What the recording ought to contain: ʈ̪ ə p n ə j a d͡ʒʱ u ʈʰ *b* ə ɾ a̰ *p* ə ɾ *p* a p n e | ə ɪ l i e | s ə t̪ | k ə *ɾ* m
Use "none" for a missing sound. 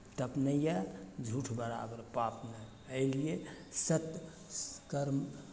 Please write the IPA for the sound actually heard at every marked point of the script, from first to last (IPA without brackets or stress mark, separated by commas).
b, b, p, ɾ